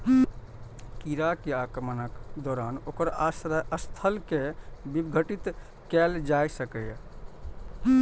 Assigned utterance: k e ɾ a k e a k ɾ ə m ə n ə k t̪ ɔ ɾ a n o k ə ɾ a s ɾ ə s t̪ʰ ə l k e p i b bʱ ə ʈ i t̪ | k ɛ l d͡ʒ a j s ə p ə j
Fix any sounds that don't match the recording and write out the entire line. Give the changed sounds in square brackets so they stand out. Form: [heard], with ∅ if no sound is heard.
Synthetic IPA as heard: k [i] ɾ a k e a k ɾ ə m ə n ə k [d̪] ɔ ɾ a n o k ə ɾ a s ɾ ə s t̪ʰ ə l k e [b] i b [ɡʱ] ə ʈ i t̪ | k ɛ l d͡ʒ a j s ə [k] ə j